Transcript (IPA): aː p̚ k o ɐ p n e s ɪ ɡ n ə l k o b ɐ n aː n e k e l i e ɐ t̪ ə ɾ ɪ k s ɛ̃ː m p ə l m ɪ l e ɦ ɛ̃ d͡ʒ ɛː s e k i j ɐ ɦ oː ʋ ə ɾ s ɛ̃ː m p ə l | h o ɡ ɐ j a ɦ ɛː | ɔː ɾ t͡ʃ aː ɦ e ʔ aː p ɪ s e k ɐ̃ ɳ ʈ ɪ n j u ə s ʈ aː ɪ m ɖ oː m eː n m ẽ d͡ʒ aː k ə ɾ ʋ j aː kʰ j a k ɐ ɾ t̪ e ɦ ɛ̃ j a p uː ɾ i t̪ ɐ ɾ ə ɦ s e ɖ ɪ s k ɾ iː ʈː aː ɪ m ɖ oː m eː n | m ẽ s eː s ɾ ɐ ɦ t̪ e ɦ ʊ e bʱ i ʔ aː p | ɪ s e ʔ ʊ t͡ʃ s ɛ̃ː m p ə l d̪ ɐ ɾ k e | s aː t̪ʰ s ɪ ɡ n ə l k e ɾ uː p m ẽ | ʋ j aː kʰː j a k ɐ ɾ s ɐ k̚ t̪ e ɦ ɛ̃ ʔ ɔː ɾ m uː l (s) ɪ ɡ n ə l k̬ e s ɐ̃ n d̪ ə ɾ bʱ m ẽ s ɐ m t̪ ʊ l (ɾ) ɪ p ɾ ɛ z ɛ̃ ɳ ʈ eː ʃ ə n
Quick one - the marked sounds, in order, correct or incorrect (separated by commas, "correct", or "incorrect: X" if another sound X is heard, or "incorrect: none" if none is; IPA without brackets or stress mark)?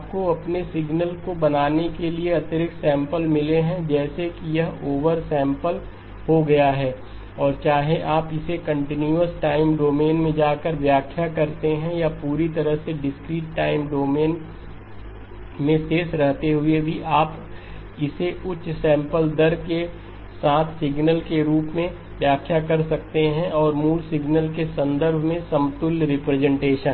correct, correct